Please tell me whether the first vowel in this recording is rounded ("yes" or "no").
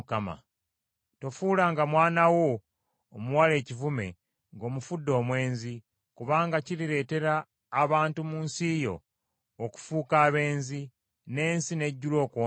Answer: no